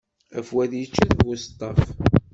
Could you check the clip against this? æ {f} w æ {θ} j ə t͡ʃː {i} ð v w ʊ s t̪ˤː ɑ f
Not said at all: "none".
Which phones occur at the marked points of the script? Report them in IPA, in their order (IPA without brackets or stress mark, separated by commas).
f, ð, æ